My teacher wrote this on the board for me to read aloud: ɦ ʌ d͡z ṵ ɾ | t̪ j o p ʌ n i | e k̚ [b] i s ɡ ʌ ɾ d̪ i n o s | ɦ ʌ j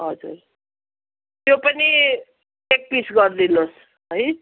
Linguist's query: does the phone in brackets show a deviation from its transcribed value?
yes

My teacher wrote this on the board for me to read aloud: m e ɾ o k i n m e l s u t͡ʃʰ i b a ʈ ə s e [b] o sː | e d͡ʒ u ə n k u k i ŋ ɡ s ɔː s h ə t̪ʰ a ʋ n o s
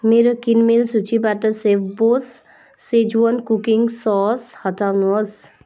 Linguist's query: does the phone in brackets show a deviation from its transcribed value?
no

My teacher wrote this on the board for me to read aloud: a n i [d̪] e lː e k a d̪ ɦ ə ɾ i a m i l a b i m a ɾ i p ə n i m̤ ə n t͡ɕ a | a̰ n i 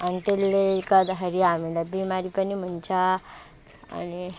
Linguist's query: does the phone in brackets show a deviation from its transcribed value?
yes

